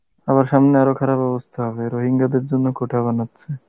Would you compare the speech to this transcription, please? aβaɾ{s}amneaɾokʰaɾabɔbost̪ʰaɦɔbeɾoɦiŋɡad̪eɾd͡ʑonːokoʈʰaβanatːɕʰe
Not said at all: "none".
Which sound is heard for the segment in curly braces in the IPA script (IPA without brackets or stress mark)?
ʃ